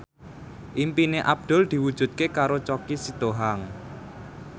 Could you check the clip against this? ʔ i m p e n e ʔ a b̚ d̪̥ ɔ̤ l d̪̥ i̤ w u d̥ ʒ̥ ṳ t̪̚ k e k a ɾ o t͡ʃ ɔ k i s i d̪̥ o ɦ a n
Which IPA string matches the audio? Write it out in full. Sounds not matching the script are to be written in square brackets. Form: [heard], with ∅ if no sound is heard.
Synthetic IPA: ʔ i m p [i] n e ʔ a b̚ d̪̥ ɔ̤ l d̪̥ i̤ w u d̥ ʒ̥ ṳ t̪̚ k e k a ɾ o t͡ʃ ɔ k i s i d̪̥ o ɦ a [ŋ]